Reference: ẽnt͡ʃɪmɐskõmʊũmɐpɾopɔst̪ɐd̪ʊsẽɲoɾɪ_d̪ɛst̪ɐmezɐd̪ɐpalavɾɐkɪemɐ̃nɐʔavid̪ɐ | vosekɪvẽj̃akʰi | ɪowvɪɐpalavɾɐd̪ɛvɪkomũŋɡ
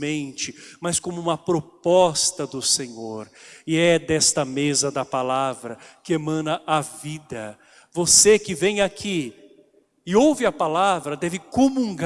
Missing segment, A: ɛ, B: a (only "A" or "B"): A